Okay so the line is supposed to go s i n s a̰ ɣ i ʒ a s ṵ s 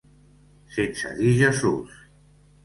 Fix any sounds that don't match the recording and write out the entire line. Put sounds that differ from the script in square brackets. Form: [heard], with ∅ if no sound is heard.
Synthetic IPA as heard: s [e] n s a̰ [ð] i ʒ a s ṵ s